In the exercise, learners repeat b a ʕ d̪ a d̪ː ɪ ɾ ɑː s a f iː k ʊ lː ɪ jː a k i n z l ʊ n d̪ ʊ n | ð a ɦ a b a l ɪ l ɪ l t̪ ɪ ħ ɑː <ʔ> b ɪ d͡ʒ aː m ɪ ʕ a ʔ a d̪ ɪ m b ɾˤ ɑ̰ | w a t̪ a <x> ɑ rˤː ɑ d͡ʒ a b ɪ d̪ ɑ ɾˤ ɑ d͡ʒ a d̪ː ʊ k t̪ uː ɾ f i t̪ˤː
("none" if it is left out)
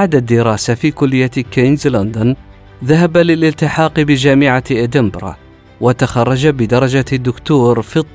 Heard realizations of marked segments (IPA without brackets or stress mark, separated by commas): q, x